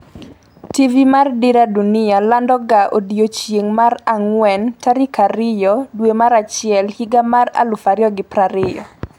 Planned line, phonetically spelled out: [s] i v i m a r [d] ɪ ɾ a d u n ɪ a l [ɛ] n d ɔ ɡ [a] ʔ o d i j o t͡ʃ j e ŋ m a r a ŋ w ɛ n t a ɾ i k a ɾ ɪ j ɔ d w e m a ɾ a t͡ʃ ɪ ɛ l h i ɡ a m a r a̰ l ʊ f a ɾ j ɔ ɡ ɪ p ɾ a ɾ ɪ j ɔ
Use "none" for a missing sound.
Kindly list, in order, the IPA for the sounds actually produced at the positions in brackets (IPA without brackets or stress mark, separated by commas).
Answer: t, d, a, a